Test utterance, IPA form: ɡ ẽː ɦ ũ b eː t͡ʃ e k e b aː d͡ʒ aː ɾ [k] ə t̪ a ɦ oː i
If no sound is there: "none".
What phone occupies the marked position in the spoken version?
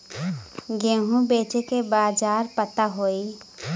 p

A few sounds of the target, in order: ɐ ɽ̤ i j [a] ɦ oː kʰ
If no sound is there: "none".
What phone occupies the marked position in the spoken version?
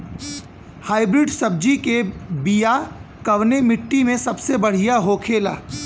a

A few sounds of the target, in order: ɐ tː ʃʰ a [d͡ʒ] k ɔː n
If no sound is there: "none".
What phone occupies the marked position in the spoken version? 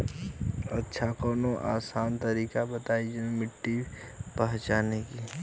none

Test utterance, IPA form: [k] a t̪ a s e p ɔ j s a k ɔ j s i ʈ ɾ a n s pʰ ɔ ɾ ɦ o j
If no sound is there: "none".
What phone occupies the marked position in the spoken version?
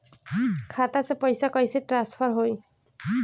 kʰ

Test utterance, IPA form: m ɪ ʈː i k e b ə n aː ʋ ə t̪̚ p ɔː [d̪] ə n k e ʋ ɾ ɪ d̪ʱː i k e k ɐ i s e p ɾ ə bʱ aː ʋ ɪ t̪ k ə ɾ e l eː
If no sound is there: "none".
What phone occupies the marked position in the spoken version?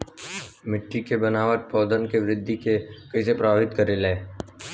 d̪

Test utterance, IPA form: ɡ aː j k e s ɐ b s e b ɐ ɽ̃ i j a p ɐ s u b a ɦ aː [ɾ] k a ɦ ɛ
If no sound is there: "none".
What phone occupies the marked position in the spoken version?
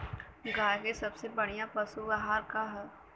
ɾ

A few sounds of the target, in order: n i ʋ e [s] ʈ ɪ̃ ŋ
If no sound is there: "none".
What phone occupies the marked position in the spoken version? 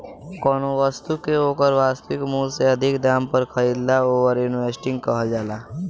s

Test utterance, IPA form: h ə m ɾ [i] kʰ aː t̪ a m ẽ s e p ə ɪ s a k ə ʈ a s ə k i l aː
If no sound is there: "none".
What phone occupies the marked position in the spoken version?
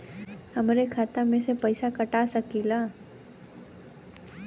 e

